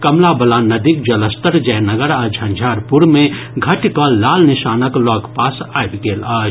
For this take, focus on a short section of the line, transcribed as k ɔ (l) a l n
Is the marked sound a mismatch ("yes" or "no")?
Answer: no